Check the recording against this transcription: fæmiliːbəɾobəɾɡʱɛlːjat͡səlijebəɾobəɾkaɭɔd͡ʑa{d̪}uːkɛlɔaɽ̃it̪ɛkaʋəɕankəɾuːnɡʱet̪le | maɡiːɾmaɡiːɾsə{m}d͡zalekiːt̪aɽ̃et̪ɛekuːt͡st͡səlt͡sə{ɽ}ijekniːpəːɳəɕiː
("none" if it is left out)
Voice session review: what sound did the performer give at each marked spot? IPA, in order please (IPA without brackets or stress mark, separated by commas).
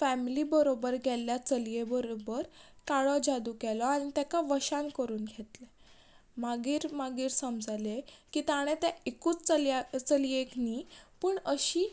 d̪, m, l